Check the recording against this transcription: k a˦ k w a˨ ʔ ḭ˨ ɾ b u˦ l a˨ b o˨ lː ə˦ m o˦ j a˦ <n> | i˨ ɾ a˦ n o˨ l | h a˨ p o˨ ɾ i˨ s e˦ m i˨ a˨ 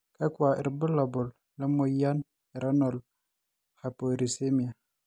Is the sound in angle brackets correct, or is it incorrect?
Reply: correct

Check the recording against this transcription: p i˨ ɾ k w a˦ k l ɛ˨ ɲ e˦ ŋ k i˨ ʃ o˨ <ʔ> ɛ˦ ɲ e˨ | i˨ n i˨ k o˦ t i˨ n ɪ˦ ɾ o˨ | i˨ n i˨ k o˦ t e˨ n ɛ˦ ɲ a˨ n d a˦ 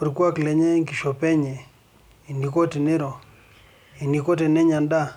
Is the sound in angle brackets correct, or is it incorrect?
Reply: incorrect: p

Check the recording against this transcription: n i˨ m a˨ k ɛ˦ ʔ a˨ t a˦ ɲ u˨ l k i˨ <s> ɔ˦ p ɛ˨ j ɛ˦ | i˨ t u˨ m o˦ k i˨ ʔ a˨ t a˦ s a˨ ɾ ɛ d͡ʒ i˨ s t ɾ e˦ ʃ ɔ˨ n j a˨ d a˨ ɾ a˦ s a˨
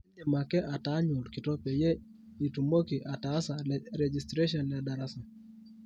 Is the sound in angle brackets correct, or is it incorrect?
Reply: incorrect: t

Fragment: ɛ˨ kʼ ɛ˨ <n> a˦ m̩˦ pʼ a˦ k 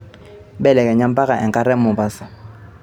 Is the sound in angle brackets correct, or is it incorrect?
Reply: incorrect: ɲ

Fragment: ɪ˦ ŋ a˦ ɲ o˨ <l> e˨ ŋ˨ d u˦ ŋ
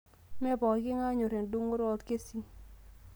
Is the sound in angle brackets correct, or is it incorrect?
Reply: incorrect: ɾ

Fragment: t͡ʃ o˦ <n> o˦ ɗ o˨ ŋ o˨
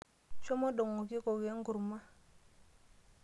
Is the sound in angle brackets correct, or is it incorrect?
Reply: incorrect: m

